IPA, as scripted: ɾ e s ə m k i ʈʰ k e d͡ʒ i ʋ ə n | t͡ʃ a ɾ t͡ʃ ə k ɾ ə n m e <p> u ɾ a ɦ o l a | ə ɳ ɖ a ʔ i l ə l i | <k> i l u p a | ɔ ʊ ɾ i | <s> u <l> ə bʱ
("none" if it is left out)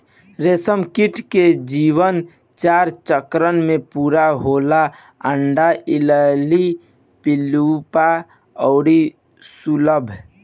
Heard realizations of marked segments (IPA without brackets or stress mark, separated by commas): p, p, s, l